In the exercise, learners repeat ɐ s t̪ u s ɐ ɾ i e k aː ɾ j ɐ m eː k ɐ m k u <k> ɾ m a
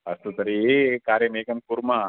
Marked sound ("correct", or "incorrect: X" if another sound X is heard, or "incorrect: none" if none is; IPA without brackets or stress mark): incorrect: none